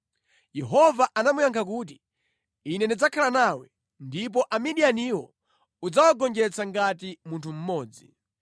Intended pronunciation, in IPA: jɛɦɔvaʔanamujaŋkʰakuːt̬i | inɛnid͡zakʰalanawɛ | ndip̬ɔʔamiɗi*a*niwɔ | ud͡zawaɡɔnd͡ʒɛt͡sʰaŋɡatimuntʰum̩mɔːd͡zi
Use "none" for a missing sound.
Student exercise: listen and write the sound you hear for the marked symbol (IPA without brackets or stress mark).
a